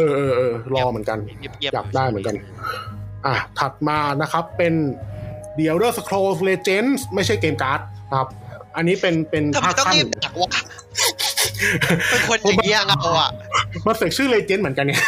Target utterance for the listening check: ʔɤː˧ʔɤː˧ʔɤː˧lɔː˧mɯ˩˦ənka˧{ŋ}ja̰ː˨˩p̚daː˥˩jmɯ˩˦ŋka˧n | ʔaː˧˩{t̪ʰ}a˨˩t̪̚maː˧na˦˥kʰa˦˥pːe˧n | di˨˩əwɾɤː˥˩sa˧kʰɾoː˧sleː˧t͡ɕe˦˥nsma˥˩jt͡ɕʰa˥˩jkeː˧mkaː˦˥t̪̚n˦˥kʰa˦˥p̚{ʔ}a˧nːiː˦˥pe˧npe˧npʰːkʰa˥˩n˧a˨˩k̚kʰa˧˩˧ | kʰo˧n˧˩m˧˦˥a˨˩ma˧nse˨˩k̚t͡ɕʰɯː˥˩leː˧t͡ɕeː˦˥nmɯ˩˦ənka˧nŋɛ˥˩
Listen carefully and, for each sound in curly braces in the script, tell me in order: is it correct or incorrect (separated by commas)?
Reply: incorrect, correct, correct